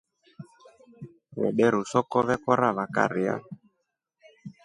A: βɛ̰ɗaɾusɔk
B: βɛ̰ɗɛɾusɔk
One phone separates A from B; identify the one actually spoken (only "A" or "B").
B